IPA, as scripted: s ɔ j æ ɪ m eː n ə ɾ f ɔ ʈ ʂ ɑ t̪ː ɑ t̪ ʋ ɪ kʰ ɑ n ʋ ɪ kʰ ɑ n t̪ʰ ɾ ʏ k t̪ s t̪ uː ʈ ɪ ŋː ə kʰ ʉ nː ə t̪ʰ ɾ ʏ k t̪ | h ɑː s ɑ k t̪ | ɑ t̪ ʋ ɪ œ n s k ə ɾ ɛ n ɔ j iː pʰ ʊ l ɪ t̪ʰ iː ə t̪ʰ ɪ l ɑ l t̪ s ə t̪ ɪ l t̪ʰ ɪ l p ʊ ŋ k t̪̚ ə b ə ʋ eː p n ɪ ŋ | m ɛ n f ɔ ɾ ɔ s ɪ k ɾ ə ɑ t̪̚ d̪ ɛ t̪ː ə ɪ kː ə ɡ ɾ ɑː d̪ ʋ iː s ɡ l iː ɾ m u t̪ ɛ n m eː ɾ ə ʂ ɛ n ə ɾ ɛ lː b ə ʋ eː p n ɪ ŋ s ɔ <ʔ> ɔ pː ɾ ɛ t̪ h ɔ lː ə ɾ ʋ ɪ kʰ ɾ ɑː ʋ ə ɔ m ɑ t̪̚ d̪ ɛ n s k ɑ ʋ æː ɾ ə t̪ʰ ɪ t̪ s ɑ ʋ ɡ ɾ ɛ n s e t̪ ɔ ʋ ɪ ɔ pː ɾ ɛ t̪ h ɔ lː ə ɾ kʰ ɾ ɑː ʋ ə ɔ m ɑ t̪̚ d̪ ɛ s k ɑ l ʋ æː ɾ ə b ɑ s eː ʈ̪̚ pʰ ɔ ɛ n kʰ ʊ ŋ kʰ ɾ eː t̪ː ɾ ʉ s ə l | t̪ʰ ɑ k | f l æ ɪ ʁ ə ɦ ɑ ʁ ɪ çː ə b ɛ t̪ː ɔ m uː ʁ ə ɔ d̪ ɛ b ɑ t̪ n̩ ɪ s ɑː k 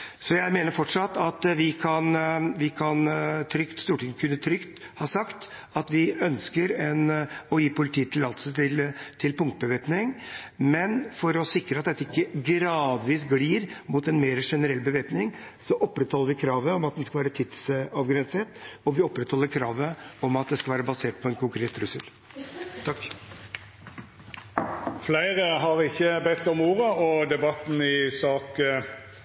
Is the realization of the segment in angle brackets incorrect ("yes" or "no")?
no